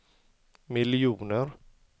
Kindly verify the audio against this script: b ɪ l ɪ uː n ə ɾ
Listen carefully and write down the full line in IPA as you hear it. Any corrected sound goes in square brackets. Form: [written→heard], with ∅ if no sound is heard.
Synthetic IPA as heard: [b→m] ɪ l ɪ uː n ə ɾ

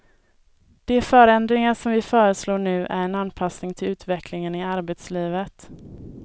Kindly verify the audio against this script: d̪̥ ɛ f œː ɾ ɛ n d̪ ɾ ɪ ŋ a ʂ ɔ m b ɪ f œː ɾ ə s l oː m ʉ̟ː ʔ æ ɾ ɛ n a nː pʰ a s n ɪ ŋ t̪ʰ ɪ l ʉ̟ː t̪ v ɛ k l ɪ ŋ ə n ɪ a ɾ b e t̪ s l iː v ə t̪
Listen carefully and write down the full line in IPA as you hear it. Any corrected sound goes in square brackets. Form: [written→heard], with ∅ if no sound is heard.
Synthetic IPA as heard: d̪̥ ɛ f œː ɾ ɛ n d̪ ɾ ɪ ŋ a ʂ ɔ m [b→v] ɪ f œː ɾ ə s l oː [m→ɳ] ʉ̟ː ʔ æ ɾ ɛ n a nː pʰ a s n ɪ ŋ t̪ʰ ɪ l ʉ̟ː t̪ v ɛ k l ɪ ŋ ə n ɪ a ɾ b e t̪ s l iː v ə t̪

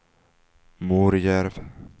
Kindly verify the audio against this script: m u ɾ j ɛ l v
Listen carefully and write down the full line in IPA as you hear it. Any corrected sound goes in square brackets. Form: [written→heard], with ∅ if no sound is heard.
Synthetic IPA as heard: m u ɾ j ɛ [l→ɾ] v

